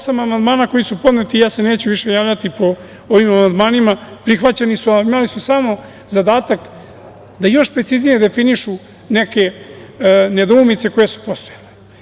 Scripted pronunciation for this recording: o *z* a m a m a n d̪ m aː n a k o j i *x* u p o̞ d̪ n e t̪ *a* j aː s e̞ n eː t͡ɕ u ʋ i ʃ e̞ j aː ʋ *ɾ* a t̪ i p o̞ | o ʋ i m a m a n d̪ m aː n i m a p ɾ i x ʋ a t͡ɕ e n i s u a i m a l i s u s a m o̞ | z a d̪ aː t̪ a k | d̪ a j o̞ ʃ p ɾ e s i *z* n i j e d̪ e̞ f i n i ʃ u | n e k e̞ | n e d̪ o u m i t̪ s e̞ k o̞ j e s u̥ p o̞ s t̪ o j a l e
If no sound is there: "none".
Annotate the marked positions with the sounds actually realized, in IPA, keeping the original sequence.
s, s, i, ʎ, z

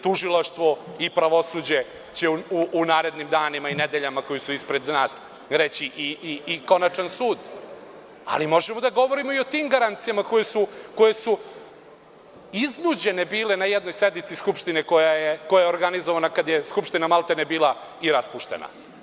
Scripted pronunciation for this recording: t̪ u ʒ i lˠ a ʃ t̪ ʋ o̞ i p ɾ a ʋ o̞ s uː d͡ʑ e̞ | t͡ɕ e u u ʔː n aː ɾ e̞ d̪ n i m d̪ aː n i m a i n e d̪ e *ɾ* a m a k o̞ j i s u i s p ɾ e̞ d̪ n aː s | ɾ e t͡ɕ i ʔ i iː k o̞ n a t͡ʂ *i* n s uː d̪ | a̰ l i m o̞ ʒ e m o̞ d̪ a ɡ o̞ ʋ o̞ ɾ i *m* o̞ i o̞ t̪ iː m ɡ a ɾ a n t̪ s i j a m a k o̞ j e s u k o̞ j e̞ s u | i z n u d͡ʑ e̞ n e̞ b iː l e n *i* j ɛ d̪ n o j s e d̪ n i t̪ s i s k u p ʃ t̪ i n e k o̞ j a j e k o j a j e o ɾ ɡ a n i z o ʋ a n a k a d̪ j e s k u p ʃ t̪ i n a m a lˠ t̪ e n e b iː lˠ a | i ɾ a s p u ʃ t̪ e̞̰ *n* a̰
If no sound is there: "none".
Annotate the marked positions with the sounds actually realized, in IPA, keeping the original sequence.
ʎ, a, m, a, n

